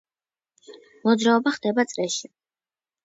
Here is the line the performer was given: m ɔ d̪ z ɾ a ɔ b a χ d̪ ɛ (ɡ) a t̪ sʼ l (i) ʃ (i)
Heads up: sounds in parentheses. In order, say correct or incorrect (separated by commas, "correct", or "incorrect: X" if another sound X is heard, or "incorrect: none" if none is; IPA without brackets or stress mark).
incorrect: b, incorrect: ɛ, correct